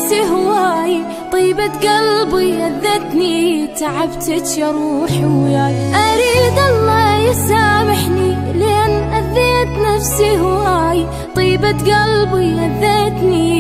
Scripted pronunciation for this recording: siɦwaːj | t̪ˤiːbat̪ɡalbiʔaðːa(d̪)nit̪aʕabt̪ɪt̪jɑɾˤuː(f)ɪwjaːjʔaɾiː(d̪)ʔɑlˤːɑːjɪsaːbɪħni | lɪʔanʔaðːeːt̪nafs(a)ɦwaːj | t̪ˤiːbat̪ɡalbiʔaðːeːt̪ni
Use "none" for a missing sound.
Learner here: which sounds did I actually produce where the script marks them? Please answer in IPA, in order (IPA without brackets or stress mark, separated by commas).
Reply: t̪, ħ, d̪, i